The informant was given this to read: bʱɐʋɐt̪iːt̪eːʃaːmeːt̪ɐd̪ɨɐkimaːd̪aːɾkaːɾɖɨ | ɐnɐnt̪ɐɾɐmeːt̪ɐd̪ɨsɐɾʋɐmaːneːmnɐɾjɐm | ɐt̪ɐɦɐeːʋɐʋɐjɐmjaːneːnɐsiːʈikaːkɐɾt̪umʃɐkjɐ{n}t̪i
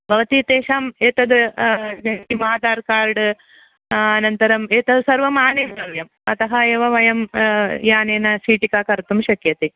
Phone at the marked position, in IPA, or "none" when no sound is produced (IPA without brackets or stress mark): none